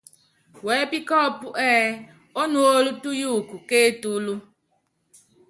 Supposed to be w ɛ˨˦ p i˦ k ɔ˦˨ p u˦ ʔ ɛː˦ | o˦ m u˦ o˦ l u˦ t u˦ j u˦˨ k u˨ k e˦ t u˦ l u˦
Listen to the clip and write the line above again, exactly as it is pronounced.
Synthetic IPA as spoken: w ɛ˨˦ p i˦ k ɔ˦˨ p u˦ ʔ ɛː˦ | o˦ n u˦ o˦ l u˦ t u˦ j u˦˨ k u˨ k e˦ t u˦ l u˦